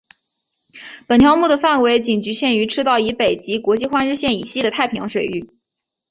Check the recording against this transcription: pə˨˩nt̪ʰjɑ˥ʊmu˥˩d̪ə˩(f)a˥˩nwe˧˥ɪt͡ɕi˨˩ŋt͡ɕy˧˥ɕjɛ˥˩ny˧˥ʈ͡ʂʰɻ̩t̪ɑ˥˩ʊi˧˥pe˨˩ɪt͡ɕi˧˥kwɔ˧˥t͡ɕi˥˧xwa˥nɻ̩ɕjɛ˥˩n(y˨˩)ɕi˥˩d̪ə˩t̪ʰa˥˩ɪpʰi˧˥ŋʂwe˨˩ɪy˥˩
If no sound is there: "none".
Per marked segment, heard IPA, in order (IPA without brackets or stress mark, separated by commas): f, i˨˩